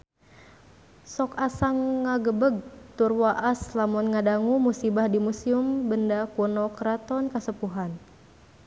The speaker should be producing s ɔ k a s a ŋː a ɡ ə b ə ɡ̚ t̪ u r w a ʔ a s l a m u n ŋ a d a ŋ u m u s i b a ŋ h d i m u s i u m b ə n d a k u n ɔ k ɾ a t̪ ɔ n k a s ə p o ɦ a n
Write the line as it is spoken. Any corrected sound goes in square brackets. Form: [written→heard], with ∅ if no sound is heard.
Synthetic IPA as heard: s ɔ k a s a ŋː a ɡ ə b ə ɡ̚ t̪ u r w a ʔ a s l a m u n ŋ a d a ŋ u m u s i b a [ŋ→∅] h d i m u s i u m b ə n d a k u n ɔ k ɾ a t̪ ɔ n k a s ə p [o→u] ɦ a n

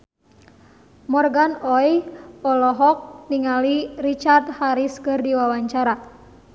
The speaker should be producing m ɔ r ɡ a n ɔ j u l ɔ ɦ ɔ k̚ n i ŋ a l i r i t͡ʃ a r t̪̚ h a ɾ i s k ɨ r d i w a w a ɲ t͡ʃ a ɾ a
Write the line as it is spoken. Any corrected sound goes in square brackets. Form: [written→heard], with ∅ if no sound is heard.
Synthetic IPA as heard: m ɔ r ɡ a n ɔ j [u→ɔ] l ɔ ɦ ɔ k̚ n i ŋ a l i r i t͡ʃ a r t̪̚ h a ɾ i s k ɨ r d i w a w a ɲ t͡ʃ a ɾ a

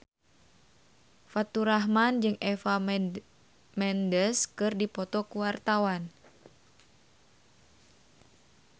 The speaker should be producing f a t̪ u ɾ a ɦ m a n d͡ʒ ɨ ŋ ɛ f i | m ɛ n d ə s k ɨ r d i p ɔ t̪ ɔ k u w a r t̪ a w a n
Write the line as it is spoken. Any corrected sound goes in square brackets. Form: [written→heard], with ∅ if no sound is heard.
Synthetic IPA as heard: f a t̪ u ɾ a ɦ m a n d͡ʒ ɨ ŋ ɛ f [i→a] | m ɛ n d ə s k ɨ r d i p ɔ t̪ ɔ k u w a r t̪ a w a n

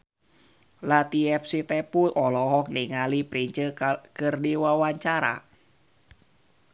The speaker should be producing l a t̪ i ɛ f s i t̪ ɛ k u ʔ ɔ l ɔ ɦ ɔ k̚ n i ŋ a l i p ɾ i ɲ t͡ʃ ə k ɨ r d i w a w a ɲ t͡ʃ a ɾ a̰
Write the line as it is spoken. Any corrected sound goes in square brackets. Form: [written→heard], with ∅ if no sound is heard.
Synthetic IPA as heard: l a t̪ i ɛ f s i t̪ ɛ [k→p] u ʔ ɔ l ɔ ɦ ɔ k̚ n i ŋ a l i p ɾ i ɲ t͡ʃ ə k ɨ r d i w a w a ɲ t͡ʃ a ɾ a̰

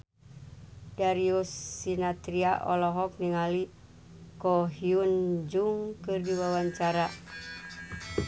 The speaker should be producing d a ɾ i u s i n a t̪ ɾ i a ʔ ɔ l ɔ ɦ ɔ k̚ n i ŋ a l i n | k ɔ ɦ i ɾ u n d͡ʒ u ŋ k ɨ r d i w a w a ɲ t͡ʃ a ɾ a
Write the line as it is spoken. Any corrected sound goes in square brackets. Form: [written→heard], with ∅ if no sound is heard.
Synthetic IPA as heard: d a ɾ i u s i n a t̪ ɾ i a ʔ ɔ l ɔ ɦ ɔ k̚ n i ŋ a l i [n→∅] | k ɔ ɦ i [ɾ→∅] u n d͡ʒ u ŋ k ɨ r d i w a w a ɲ t͡ʃ a ɾ a

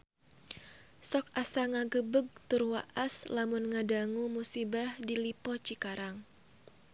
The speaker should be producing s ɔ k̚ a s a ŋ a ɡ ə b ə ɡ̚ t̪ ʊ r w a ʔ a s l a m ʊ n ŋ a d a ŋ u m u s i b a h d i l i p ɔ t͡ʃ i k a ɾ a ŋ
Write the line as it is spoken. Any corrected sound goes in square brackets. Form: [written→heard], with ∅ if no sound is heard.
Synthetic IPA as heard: s ɔ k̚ a s a ŋ a ɡ ə b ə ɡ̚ t̪ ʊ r w a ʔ a s l a m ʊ n ŋ a d a ŋ u m u s i b a h d i l i p ɔ t͡ʃ i k a ɾ a ŋ

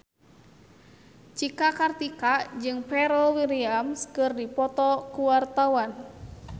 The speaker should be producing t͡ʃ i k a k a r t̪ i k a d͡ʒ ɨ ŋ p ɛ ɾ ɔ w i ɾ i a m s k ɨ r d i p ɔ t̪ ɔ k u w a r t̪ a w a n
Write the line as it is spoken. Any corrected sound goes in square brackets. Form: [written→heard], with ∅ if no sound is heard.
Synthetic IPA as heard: t͡ʃ i k a k a r t̪ i k a d͡ʒ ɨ ŋ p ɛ ɾ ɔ w i ɾ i a m s k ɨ r d i p ɔ t̪ ɔ k u w a r t̪ a w a n

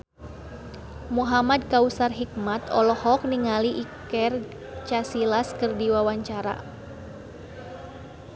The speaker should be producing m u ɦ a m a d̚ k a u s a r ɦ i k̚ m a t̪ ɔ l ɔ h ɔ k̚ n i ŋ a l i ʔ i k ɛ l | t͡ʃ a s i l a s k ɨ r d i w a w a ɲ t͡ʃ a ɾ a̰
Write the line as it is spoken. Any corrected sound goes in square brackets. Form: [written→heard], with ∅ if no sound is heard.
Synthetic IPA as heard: m u ɦ a m a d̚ k a u s a r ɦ i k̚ m a t̪ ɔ l ɔ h ɔ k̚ n i ŋ a l i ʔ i k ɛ [l→r] | t͡ʃ a s i l a s k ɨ r d i w a w a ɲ t͡ʃ a ɾ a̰

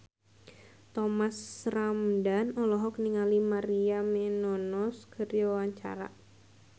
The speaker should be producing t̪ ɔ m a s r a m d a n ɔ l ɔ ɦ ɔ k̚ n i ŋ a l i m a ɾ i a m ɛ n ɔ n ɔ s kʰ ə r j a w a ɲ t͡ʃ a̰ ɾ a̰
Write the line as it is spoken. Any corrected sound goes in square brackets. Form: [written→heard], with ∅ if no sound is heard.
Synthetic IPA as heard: t̪ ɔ m a s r a m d a n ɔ l ɔ ɦ ɔ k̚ n i ŋ a l i m a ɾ i a m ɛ n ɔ n ɔ s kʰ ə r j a w a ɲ t͡ʃ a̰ ɾ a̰

